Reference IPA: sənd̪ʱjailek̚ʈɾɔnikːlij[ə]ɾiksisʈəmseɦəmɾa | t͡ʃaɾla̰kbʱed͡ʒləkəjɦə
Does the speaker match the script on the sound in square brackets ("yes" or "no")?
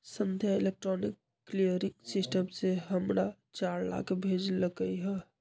yes